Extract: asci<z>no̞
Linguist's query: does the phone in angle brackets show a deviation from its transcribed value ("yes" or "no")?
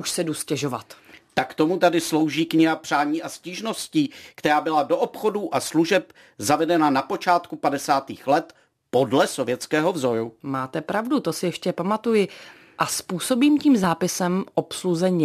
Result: yes